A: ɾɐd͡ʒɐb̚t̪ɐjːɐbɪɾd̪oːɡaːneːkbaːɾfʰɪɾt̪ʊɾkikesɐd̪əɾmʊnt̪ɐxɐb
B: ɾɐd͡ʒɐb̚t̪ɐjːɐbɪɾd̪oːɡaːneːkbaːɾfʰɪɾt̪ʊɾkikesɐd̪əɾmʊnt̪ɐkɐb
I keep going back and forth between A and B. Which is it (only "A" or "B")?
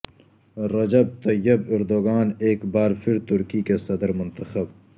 A